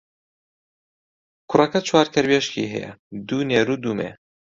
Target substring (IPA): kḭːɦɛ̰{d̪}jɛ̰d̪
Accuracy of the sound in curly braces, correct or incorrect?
incorrect: none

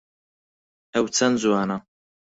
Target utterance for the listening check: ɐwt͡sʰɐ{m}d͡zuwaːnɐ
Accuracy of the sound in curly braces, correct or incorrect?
incorrect: n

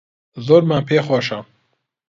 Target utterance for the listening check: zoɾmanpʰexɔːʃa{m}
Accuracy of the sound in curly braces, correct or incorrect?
correct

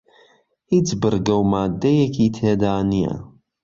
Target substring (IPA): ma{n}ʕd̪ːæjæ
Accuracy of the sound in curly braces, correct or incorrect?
incorrect: none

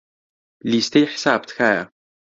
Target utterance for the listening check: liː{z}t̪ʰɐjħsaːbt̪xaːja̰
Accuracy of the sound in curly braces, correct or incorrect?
incorrect: s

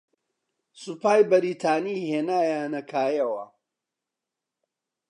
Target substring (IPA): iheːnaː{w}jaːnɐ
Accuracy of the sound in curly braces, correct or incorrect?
incorrect: none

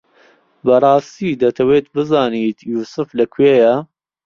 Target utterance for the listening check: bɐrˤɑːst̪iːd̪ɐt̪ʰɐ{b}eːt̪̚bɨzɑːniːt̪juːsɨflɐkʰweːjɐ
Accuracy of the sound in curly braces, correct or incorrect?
incorrect: w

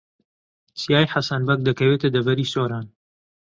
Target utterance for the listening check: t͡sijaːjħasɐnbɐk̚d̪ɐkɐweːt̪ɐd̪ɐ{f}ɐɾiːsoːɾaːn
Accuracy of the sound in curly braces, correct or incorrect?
incorrect: v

